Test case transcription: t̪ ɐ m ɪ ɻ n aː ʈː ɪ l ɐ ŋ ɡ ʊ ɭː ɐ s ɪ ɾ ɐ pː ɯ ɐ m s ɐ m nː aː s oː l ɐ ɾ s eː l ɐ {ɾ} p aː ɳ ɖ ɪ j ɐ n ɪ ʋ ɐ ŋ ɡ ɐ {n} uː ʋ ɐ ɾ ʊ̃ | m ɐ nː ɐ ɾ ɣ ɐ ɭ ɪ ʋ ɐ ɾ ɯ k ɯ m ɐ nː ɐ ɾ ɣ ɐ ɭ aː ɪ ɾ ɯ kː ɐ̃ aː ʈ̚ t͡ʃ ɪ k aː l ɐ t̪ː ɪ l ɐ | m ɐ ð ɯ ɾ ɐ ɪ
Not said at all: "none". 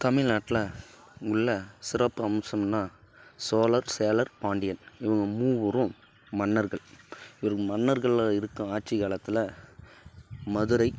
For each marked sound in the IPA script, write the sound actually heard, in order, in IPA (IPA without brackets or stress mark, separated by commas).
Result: ɾ, m